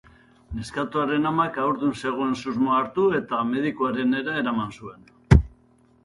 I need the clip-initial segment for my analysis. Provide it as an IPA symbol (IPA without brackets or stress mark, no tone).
n